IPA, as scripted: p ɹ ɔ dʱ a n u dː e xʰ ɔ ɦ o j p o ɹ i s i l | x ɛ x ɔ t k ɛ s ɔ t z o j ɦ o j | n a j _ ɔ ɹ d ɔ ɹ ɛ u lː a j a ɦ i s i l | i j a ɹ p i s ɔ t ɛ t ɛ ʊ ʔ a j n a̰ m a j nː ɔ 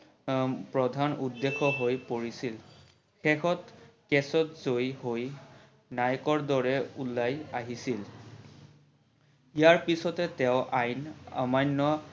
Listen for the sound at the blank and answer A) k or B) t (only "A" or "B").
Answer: A